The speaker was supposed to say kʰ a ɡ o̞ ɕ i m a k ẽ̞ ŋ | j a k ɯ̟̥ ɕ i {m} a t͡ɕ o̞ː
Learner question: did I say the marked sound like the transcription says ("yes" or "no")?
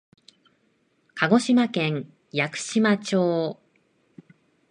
yes